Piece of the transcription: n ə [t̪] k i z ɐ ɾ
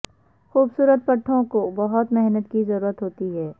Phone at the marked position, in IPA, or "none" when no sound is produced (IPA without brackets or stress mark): t̪